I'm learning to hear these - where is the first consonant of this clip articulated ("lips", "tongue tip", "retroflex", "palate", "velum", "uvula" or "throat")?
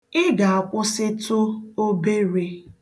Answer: velum